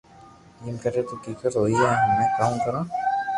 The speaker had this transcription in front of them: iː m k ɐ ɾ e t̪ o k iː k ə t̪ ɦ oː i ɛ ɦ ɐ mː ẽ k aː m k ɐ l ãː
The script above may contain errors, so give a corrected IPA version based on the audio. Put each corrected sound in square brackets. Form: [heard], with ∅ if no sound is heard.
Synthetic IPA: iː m k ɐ ɾ e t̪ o k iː k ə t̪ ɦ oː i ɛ ɦ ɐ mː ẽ k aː m k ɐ [ɾ] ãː

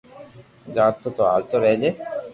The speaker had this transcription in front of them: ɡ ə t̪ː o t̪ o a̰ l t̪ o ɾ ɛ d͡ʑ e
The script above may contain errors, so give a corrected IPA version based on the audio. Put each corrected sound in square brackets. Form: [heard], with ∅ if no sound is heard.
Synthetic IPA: ɡ [a] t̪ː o t̪ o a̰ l t̪ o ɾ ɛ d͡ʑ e

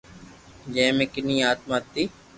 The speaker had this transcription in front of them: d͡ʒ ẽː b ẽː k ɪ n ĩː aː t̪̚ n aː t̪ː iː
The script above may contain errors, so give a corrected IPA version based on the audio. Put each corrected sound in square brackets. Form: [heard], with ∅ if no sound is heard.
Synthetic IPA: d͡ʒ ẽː [m] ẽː k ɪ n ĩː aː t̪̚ [m] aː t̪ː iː

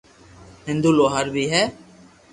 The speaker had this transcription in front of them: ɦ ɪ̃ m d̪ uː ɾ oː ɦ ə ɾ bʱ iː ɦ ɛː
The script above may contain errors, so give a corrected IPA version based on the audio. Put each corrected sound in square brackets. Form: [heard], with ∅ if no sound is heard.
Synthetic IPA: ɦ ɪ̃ [n] d̪ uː [l] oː ɦ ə ɾ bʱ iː ɦ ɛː

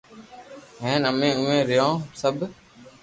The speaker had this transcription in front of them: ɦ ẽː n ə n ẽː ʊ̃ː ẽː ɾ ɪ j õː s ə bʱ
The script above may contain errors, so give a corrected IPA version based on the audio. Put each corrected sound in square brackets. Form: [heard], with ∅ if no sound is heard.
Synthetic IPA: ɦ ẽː n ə [m] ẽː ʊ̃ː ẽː ɾ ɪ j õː s ə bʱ

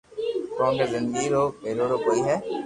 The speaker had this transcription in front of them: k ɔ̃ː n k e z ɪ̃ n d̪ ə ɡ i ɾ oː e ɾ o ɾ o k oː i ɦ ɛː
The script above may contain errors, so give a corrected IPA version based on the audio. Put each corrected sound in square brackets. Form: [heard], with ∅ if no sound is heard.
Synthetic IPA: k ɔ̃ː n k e z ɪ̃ n d̪ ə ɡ i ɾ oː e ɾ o ɾ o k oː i ɦ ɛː

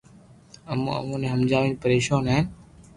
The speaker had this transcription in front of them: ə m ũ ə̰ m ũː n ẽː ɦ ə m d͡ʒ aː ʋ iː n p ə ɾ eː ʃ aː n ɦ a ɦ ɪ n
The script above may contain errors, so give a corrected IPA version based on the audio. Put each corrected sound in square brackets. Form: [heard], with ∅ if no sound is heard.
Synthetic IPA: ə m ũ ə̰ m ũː n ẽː ɦ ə m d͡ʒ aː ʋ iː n p ə ɾ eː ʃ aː n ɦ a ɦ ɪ n

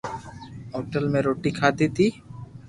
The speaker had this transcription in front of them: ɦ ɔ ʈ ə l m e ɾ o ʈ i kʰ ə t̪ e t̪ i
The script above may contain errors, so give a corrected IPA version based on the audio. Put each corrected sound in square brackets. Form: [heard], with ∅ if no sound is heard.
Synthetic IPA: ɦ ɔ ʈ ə l m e ɾ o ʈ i kʰ [a] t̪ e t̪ i

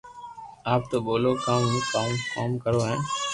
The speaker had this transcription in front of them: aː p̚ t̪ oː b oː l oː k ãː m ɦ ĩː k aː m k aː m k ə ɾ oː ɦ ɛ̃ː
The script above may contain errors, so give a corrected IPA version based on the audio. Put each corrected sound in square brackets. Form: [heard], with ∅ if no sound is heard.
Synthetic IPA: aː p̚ t̪ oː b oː l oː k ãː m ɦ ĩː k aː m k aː m k ə ɾ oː ɦ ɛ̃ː

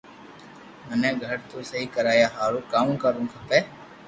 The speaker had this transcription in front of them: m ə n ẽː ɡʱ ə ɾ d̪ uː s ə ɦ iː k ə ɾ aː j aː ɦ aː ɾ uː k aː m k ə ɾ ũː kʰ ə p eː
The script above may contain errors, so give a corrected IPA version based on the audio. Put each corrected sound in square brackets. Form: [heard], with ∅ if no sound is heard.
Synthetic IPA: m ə n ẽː ɡʱ ə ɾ [t̪] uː s ə ɦ iː k ə ɾ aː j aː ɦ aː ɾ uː k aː m k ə ɾ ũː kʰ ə p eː

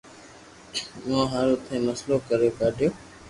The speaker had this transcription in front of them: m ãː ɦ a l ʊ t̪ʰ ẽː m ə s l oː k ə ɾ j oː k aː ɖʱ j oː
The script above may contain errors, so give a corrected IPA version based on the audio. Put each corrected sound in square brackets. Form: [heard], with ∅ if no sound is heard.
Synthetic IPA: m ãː ɦ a [ɾ] ʊ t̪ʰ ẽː m ə s l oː k ə ɾ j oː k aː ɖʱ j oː

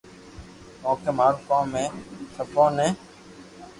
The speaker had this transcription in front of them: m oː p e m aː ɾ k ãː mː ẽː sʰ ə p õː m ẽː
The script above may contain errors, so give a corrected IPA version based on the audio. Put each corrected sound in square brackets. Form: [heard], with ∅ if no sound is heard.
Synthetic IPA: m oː [k] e m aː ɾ k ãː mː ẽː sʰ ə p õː [n] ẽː

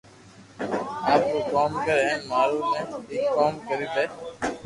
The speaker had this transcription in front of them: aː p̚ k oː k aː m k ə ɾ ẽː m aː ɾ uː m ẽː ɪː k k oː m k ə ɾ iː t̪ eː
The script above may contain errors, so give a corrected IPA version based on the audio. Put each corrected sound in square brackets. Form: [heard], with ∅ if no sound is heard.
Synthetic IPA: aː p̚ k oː k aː m k ə ɾ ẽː m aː ɾ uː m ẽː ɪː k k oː m k ə ɾ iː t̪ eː

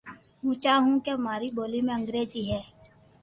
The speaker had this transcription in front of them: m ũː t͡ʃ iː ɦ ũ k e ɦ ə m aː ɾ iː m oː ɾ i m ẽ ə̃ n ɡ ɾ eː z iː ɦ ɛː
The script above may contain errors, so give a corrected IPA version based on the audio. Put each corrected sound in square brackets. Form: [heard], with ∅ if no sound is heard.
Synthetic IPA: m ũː t͡ʃ [aː] ɦ ũ k e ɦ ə m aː ɾ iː [b] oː [l] i m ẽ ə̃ [ŋ] ɡ ɾ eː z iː ɦ ɛː

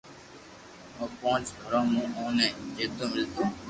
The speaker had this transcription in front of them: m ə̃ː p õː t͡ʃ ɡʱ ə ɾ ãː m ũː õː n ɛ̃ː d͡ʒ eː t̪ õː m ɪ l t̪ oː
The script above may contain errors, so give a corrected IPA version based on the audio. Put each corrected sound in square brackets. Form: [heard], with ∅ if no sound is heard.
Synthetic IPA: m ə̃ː p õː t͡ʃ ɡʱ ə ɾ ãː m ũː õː n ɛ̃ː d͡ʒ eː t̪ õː m ɪ l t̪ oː

